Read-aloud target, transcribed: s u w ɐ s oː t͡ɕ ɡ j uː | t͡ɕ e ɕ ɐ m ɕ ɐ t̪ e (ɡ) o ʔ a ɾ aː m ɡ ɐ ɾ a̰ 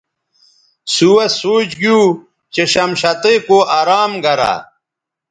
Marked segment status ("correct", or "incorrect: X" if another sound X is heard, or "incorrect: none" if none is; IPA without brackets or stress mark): incorrect: k